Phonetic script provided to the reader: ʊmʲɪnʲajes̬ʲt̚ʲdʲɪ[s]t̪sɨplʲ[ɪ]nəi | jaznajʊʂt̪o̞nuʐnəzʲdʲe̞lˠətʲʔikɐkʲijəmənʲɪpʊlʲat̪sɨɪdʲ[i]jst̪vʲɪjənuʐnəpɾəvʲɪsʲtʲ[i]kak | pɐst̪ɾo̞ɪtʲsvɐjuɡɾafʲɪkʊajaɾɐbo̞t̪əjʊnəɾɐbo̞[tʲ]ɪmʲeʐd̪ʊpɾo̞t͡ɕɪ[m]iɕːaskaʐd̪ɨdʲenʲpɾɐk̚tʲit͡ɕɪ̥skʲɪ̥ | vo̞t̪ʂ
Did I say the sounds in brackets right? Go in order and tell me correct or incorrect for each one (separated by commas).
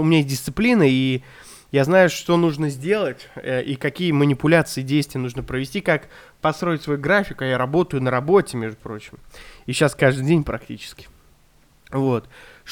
correct, incorrect, incorrect, correct, correct, correct